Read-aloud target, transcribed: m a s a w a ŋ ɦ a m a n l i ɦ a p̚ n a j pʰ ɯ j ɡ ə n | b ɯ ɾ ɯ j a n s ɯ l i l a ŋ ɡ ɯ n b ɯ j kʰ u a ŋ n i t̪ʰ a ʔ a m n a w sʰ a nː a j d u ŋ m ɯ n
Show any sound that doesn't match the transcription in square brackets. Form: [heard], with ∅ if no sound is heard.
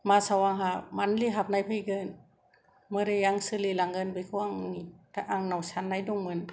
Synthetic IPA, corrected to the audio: m a s a w a ŋ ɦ a m a n l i ɦ a p̚ n a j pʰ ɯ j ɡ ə n | [m] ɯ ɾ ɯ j a [ŋ] s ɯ l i l a ŋ ɡ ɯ n b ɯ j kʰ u a ŋ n i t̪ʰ a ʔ a [ŋ] n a w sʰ a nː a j d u ŋ m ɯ n